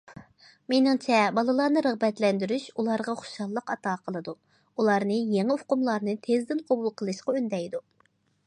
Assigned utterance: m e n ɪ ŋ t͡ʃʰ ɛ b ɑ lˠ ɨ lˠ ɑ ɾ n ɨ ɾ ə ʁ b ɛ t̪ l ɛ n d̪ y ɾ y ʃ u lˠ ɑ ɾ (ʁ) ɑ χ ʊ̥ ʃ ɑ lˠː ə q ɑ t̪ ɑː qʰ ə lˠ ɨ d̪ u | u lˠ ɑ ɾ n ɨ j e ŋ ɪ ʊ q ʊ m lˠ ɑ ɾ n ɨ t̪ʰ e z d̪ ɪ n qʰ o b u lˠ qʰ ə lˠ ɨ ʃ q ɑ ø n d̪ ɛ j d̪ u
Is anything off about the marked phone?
no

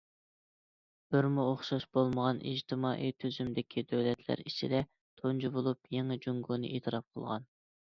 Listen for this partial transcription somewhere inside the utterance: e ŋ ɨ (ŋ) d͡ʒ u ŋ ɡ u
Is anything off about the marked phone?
yes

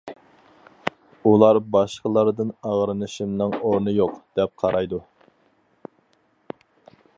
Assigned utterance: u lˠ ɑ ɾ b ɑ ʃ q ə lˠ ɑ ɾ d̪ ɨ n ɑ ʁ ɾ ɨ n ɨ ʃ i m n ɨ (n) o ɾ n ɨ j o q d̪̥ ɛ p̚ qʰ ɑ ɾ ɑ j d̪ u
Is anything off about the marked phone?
yes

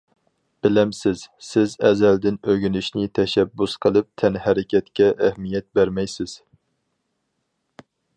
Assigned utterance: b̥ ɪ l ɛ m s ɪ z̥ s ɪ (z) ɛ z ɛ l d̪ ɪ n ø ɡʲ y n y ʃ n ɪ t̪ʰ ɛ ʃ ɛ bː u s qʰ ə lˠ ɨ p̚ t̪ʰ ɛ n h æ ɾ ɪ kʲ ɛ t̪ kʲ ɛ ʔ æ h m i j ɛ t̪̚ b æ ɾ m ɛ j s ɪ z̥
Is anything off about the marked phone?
no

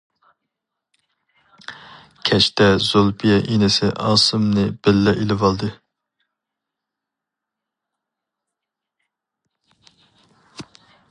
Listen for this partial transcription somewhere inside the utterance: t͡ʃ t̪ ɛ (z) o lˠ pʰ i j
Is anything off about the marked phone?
no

